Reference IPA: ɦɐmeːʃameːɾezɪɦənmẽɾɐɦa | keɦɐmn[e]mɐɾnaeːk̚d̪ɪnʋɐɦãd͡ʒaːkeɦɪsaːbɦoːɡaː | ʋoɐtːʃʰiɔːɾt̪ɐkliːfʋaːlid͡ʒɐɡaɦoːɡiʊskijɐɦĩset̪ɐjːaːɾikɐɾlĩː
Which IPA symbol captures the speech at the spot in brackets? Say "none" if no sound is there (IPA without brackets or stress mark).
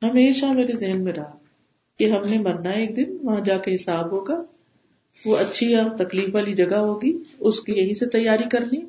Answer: e